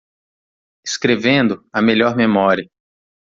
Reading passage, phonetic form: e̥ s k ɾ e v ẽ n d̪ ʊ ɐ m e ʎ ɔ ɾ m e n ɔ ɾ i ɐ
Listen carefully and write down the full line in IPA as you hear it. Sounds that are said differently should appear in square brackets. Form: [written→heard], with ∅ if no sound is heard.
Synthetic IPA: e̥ s k ɾ e v ẽ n d̪ ʊ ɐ m e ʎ ɔ ɾ m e [n→m] ɔ ɾ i ɐ